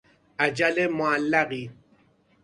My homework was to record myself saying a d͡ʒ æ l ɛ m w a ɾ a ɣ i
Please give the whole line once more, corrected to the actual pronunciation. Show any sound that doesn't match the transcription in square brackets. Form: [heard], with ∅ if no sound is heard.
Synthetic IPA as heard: a d͡ʒ [a] l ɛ m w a [l] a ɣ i